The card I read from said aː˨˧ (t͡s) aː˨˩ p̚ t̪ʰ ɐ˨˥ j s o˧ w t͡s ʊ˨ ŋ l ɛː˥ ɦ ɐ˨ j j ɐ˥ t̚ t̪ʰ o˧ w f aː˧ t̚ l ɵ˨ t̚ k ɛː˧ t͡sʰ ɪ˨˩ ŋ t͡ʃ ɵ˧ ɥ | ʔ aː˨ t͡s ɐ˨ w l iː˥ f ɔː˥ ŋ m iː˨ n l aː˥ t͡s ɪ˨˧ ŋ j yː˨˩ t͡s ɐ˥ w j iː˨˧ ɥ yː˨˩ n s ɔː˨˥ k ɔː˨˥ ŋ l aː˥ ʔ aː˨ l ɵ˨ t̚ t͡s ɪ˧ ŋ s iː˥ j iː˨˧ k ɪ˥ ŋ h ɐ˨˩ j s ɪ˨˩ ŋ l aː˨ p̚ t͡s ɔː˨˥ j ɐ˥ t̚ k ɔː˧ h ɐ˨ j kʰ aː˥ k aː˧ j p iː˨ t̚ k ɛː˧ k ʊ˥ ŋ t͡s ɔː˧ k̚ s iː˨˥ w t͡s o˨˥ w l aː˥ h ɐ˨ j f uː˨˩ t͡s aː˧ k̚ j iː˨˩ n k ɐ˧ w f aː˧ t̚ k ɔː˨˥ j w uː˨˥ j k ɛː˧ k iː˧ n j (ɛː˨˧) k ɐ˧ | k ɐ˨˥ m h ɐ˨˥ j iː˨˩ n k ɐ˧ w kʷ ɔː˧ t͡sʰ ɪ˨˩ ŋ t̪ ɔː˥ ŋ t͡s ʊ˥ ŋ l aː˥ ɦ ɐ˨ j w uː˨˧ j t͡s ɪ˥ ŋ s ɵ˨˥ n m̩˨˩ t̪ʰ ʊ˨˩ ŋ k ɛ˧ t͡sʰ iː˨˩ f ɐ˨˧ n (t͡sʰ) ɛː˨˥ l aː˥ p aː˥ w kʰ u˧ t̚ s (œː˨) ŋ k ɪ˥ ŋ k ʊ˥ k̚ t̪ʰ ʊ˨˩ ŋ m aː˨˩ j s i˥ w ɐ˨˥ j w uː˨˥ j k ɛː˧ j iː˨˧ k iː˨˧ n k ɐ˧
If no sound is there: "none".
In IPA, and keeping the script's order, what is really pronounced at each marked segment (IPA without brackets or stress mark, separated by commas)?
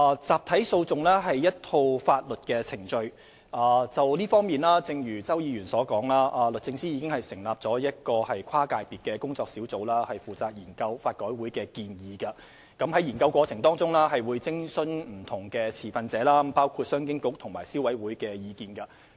t͡s, iː˨˧, t͡s, œː˥